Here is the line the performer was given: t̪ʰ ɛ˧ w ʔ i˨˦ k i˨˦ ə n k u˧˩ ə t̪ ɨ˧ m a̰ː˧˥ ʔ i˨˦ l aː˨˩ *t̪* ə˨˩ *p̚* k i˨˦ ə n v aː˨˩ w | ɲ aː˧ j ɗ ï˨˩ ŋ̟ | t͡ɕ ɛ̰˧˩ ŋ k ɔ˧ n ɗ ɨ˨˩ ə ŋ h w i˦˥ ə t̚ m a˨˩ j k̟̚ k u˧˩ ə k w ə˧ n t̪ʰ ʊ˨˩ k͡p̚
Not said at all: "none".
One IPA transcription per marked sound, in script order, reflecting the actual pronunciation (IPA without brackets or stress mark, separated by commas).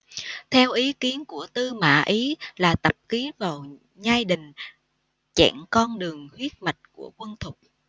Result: t̪, p̚